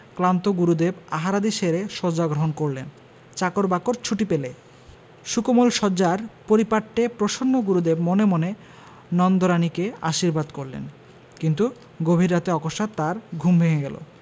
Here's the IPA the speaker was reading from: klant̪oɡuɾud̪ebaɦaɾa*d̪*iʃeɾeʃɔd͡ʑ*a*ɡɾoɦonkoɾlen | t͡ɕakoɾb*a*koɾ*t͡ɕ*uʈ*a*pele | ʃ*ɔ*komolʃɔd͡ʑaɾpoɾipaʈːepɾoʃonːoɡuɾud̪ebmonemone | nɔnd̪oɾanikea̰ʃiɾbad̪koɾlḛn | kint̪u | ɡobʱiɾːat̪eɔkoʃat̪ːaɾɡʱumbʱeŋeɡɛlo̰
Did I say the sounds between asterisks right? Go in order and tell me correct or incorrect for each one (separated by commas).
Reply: correct, correct, correct, incorrect, incorrect, incorrect